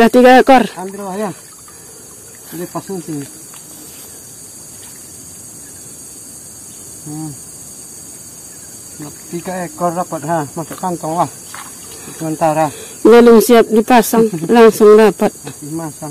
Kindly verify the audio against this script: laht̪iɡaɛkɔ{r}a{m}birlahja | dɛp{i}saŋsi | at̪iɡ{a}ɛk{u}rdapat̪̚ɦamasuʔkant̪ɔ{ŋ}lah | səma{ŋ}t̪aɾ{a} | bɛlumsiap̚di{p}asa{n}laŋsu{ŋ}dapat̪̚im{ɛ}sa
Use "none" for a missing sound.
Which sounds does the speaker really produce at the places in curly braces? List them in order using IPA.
r, m, a, a, ɔ, ŋ, n, a, p, ŋ, ŋ, a

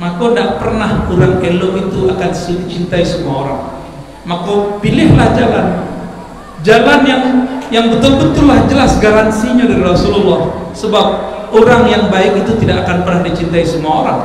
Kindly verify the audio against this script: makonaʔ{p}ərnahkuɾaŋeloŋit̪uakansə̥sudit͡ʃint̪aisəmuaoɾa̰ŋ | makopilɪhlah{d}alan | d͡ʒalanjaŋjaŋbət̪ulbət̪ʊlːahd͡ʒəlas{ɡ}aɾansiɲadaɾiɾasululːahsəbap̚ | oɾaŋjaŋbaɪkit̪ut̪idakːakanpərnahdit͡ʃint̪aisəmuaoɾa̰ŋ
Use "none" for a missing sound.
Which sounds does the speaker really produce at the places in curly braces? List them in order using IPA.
p, d͡ʒ, ɡ

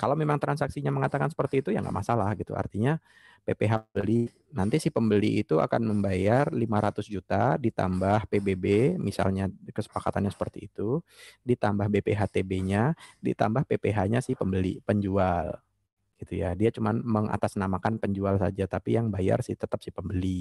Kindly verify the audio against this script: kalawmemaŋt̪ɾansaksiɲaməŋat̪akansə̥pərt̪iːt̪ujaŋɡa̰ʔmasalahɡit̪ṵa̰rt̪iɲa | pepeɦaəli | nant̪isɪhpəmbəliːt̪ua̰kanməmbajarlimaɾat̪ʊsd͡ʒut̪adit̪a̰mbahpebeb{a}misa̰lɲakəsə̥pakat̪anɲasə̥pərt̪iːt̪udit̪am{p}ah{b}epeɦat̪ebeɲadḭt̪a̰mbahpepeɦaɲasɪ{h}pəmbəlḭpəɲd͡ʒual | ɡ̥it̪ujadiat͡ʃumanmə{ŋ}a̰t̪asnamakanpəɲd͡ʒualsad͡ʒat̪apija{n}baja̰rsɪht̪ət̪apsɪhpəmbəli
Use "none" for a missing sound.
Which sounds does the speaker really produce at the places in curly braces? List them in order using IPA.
e, b, b, h, ŋ, ŋ

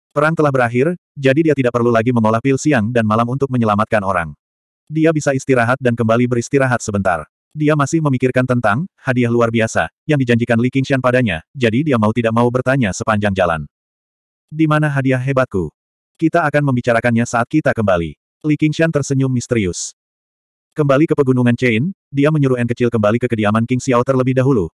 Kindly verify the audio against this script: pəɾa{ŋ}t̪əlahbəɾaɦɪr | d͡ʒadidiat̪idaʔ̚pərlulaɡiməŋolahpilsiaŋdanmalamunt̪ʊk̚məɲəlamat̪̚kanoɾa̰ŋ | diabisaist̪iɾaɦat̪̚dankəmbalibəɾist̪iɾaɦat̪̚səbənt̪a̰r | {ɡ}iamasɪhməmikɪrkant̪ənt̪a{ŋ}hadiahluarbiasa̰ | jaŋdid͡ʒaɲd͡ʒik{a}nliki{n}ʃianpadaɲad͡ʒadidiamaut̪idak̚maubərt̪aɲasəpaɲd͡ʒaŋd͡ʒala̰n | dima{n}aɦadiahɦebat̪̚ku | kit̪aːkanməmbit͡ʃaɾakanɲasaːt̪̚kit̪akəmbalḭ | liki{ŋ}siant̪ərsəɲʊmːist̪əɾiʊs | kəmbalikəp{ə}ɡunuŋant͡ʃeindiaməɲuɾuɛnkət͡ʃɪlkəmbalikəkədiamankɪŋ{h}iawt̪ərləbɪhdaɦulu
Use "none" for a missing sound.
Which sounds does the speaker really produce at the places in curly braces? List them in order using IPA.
ŋ, d, ŋ, a, ŋ, n, ŋ, ə, s

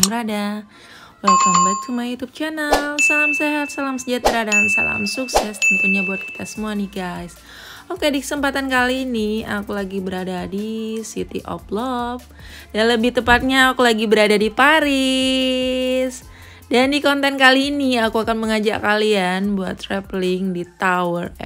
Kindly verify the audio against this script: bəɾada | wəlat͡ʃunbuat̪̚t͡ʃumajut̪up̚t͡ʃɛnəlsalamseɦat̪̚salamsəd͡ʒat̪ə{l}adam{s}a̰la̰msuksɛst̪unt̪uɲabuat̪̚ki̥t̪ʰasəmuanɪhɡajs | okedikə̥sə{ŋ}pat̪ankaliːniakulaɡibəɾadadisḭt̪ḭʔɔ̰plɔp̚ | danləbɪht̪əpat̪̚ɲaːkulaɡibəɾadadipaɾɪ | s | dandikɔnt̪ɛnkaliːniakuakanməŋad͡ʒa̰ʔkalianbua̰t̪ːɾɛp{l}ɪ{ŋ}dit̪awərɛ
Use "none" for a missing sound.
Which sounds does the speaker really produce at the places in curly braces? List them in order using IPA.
ɾ, s, m, l, ŋ

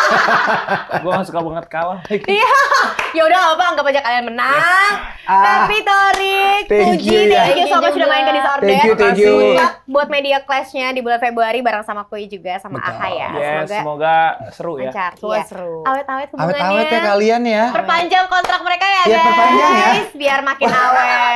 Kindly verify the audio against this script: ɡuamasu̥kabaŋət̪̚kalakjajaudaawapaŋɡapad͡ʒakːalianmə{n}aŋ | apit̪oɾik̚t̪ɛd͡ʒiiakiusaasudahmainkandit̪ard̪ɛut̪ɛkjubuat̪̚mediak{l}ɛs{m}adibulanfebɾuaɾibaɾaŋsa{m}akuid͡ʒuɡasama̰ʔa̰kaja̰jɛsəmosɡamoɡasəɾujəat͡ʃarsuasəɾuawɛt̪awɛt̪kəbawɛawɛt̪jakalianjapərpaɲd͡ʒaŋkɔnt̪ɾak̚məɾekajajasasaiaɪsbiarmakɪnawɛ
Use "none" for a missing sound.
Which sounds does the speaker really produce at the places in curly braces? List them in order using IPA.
n, l, ɲ, m

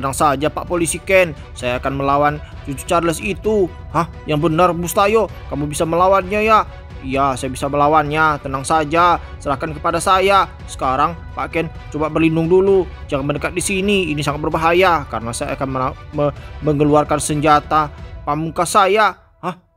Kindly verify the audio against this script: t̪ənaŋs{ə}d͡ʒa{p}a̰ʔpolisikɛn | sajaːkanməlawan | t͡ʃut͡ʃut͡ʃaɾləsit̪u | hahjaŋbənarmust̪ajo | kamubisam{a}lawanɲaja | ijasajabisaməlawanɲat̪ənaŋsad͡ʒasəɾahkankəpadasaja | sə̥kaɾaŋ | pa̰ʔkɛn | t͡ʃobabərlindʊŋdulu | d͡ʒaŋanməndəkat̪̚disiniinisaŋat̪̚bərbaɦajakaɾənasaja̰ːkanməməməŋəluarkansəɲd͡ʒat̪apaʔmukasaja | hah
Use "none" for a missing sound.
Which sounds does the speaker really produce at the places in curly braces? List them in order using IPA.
a, p, ə

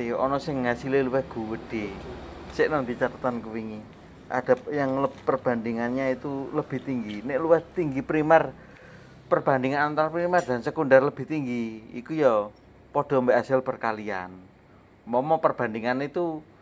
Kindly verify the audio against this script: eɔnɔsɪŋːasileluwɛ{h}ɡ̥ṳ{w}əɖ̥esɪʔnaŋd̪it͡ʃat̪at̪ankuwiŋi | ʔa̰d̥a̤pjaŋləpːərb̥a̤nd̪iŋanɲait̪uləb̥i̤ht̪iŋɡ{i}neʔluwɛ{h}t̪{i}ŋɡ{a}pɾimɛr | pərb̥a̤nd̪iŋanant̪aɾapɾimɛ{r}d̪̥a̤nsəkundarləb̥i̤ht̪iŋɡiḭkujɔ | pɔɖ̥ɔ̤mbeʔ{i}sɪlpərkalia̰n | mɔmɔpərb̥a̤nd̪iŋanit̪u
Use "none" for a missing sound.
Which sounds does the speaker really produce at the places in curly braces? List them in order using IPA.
h, w, i, h, i, i, r, a

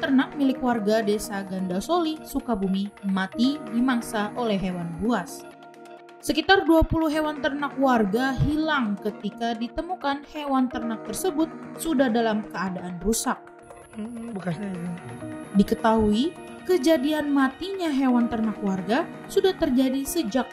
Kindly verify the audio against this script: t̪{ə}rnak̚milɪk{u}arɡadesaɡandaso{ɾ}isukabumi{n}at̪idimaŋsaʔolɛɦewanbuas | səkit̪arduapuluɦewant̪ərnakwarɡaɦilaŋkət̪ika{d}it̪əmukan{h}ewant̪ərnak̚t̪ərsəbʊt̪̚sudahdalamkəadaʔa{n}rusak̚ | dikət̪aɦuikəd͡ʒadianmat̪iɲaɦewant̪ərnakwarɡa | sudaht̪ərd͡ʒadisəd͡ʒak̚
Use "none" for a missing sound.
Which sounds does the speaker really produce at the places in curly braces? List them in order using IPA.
ə, w, l, m, d, h, n

